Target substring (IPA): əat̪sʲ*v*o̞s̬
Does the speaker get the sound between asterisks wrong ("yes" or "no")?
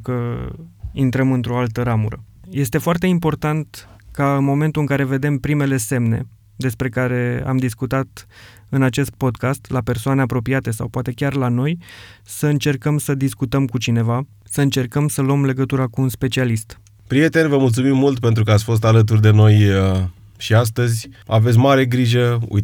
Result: yes